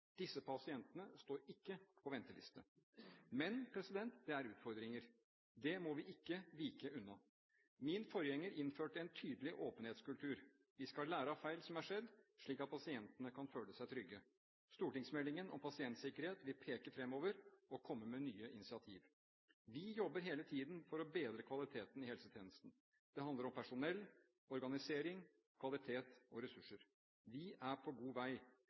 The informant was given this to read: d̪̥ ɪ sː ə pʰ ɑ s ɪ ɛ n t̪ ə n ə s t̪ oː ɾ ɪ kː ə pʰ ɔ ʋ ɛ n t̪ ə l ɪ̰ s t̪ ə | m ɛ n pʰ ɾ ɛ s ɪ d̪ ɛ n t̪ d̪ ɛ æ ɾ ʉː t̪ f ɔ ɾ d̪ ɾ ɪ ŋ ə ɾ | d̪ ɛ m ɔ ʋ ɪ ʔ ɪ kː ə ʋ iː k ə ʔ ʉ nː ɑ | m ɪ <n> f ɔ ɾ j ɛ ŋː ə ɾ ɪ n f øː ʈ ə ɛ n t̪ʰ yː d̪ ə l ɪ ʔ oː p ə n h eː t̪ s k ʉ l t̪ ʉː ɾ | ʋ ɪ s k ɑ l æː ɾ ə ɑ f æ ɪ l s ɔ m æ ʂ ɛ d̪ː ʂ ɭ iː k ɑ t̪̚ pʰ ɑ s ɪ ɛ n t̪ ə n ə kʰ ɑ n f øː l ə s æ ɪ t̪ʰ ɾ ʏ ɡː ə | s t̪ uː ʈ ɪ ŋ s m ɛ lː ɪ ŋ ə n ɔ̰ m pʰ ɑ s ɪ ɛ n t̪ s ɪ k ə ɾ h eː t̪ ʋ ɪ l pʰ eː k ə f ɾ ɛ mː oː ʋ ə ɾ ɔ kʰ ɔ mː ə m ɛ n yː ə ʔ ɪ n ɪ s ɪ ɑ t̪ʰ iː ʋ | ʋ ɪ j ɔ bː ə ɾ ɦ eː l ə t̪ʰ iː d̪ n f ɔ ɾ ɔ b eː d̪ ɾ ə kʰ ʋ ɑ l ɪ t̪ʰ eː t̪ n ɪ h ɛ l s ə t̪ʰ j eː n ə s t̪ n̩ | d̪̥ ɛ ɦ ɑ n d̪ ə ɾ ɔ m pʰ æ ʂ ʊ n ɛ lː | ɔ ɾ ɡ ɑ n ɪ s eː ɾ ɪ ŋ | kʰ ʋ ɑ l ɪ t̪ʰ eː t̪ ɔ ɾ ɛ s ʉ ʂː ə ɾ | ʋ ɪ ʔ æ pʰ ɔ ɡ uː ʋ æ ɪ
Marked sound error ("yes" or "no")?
no